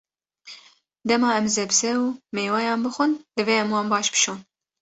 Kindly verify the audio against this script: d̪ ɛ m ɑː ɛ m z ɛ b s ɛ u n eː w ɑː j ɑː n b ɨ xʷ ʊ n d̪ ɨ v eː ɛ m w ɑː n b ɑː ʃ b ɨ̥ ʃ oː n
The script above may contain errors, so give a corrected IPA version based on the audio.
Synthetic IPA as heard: d̪ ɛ m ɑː ɛ m z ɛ b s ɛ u m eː w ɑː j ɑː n b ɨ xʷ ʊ n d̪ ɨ v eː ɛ m w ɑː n b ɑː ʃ b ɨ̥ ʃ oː n

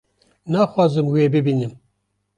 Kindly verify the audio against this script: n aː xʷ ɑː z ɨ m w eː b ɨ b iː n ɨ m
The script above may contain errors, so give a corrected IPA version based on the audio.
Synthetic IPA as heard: n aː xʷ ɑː z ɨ m w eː b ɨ b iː n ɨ m

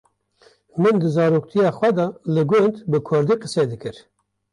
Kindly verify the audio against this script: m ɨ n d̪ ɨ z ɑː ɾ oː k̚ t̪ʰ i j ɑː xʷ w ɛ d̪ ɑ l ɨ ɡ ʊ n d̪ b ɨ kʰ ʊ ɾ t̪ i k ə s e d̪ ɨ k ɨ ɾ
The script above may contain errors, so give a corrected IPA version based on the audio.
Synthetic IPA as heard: m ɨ n d̪ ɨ z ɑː ɾ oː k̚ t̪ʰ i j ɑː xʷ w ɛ d̪ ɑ l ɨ ɡ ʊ n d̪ b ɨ kʰ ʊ ɾ d̪ i q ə s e d̪ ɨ k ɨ ɾ

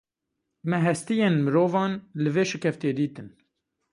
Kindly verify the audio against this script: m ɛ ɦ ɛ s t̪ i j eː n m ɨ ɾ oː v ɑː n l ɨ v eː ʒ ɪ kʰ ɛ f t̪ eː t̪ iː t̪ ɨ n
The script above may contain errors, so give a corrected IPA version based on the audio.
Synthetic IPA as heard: m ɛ ɦ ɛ s t̪ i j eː n m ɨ ɾ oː v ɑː n l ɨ v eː ʃ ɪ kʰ ɛ f t̪ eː d̪ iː t̪ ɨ n

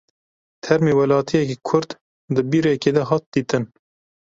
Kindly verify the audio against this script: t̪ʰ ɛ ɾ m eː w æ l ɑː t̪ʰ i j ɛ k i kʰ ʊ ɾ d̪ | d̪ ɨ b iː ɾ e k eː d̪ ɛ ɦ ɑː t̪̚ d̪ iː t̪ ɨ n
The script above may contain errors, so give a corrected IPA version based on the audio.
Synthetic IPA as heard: t̪ʰ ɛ ɾ m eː w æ l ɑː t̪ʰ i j ɛ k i kʰ ʊ ɾ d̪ | d̪ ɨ b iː ɾ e k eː d̪ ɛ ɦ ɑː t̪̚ d̪ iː t̪ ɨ n

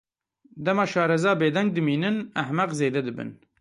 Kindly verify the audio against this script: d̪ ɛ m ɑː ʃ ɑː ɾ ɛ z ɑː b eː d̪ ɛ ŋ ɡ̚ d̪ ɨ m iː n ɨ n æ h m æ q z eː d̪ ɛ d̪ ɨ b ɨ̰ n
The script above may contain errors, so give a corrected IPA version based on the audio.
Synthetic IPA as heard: d̪ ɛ m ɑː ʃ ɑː ɾ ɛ z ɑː b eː d̪ ɛ ŋ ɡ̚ d̪ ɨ m iː n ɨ n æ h m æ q z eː d̪ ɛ d̪ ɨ b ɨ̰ n

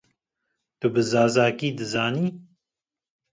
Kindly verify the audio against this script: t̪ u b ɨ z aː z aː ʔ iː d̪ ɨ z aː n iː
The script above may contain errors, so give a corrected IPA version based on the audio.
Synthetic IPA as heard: t̪ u b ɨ z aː z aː k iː d̪ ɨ z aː n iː

